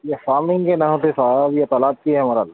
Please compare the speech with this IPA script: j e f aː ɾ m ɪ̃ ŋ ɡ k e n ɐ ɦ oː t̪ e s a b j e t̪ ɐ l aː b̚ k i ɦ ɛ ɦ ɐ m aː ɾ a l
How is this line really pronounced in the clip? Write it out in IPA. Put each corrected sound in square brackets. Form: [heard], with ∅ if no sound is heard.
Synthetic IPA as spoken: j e f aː ɾ m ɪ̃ ŋ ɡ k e n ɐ ɦ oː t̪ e s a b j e t̪ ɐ l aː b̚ k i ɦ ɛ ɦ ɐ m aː ɾ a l